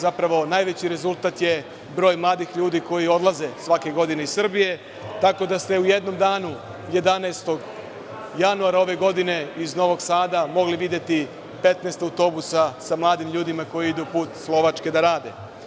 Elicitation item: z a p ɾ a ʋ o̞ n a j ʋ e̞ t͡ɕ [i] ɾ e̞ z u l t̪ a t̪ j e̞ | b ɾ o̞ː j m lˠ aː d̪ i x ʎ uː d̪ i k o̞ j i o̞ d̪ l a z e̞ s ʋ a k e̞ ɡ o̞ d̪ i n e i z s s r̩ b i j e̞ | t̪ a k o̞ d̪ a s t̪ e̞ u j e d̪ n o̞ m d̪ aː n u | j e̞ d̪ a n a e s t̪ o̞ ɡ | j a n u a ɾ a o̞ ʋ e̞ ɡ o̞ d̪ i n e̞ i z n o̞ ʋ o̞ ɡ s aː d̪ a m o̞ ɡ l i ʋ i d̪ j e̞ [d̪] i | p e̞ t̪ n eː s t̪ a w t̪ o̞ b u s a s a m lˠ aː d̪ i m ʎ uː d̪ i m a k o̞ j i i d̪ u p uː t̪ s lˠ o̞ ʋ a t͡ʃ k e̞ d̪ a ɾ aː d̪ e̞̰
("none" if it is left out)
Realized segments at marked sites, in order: i, t̪

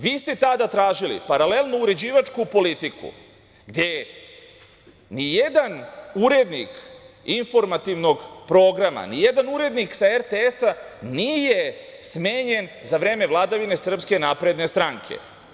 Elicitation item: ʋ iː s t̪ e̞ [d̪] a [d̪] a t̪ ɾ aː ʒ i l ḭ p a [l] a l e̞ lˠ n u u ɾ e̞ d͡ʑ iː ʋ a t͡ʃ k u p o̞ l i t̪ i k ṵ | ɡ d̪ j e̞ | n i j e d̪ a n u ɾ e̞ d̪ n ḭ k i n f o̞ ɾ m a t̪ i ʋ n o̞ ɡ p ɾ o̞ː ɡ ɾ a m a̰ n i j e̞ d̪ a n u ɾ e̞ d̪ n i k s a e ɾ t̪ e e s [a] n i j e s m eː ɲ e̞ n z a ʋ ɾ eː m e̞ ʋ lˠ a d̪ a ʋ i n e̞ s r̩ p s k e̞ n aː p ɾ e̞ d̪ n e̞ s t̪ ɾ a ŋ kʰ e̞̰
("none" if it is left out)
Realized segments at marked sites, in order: t̪, d̪, ɾ, a

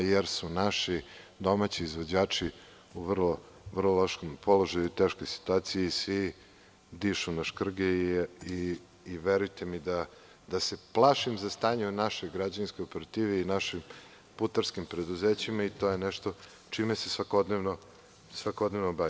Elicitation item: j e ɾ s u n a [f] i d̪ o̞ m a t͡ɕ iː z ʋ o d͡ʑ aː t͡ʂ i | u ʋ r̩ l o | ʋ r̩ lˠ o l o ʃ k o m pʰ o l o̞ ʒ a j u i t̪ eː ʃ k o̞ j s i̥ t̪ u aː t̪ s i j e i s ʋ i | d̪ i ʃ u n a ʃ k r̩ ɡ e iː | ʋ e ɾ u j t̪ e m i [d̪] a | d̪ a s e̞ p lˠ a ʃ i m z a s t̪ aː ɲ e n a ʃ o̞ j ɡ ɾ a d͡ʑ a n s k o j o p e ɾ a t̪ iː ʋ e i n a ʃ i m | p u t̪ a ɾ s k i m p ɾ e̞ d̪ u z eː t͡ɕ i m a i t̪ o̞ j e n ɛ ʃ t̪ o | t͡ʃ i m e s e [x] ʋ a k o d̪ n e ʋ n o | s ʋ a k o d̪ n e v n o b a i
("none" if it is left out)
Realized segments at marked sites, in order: ʃ, d̪, s

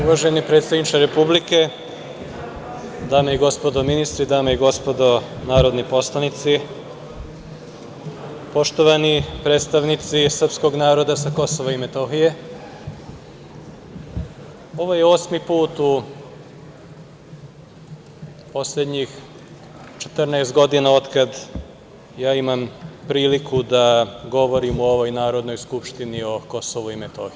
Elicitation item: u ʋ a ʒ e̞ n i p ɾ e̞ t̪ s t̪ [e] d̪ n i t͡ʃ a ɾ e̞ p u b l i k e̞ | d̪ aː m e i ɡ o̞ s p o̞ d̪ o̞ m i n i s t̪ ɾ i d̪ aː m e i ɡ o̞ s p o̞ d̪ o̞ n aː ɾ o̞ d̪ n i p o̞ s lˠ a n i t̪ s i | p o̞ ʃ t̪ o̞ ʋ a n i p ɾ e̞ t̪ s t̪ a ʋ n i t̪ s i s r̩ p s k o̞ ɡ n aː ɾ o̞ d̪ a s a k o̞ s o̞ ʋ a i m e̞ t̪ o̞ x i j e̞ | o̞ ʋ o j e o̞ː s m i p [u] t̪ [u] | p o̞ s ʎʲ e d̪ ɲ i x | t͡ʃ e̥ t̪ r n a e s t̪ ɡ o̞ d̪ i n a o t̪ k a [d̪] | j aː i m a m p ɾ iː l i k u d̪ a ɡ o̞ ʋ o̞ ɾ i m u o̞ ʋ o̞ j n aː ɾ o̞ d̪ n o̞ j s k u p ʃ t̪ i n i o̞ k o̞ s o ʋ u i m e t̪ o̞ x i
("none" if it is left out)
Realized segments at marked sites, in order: a, uː, u, d̪

